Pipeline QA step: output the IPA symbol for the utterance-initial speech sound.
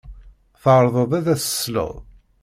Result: θ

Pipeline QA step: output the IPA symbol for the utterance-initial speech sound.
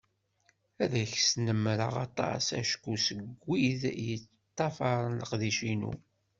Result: æ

